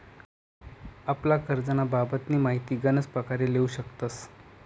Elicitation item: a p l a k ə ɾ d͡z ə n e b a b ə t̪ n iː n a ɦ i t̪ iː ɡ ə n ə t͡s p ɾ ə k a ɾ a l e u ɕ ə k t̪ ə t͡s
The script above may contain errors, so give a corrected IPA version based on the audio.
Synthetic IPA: a p l a k ə ɾ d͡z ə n a b a b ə t̪ n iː m a ɦ i t̪ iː ɡ ə n ə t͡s p ɾ ə k a ɾ e l e u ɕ ə k t̪ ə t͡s